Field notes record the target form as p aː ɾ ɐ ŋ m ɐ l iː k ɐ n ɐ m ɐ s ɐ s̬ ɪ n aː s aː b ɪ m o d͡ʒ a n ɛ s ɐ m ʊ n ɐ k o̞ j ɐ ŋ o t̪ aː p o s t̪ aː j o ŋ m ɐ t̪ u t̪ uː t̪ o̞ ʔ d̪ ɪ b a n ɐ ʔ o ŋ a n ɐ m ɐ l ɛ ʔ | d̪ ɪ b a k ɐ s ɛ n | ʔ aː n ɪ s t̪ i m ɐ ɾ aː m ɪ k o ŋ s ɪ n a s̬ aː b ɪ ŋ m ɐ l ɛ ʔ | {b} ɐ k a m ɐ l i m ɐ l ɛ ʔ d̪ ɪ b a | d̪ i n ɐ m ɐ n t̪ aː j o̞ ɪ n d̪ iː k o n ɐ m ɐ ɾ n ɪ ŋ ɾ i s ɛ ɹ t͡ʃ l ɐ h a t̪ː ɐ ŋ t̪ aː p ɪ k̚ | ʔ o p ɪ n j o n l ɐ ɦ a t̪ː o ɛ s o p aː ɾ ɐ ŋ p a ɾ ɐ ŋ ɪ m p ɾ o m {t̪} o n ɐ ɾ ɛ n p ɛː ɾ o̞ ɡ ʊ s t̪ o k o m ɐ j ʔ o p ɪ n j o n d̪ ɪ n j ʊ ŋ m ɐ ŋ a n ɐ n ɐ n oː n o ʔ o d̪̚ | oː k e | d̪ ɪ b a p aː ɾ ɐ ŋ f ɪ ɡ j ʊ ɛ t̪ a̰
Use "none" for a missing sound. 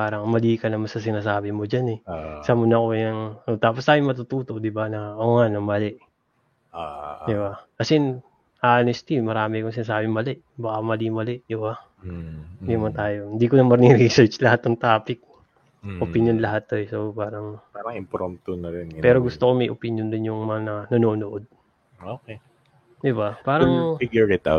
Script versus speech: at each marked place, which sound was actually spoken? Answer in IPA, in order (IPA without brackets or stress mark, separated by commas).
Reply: b, t̪